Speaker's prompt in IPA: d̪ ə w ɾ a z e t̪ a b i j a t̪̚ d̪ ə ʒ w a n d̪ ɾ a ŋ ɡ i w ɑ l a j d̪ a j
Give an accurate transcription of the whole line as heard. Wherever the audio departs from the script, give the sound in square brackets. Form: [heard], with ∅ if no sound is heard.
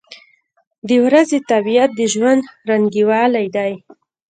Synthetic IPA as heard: d̪ ə w ɾ a z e t̪ a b i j a t̪̚ d̪ ə ʒ w a n d̪ ɾ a ŋ ɡ i w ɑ l a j d̪ a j